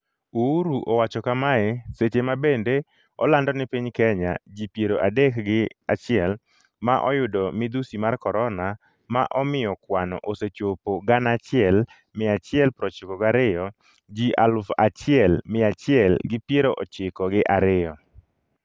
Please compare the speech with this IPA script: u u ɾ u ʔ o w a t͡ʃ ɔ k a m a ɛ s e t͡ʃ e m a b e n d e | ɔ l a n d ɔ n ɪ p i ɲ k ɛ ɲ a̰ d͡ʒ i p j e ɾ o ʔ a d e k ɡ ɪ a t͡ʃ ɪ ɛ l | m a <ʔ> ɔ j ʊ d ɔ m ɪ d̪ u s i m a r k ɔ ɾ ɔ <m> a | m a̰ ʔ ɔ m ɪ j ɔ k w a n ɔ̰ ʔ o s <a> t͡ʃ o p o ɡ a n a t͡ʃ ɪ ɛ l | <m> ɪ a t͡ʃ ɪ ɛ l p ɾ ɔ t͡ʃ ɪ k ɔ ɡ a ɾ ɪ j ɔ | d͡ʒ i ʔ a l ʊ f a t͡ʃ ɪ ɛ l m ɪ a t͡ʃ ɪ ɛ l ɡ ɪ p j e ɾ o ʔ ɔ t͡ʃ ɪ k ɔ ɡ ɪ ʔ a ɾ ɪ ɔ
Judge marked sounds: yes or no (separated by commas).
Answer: yes, no, no, yes